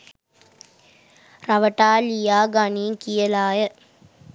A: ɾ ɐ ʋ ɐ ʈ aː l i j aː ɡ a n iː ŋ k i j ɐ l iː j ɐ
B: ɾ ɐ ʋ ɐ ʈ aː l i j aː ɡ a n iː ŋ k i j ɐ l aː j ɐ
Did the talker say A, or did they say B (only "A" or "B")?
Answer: B